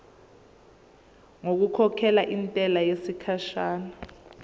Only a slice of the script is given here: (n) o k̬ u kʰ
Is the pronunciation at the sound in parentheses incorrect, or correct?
incorrect